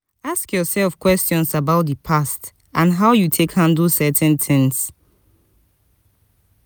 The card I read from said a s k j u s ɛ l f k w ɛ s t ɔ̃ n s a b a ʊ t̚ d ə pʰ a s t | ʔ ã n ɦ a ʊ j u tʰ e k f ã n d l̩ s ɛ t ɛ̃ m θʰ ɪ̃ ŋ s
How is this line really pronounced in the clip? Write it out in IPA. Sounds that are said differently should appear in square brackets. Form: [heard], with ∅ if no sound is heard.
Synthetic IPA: a s k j [ɔ] s ɛ l f k w ɛ s t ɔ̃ n s a b a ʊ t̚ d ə pʰ a s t | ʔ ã n ɦ a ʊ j u tʰ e k [h] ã n d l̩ s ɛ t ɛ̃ [n] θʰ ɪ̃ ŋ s